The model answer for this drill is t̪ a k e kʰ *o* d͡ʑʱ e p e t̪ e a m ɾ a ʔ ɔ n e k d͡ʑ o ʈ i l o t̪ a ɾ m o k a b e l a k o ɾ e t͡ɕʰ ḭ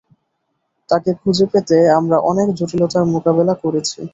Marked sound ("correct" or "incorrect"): incorrect